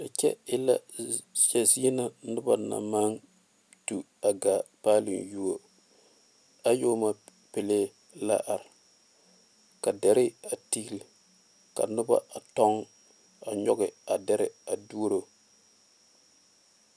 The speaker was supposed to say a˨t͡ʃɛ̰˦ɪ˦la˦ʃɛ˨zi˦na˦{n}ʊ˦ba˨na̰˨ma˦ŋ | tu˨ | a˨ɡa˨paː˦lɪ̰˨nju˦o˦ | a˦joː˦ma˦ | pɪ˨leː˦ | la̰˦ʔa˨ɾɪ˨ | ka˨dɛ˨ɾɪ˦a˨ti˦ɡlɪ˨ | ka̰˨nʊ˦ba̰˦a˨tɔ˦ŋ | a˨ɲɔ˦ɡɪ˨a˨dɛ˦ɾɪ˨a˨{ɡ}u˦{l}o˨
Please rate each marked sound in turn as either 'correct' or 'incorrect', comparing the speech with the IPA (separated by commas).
correct, incorrect, incorrect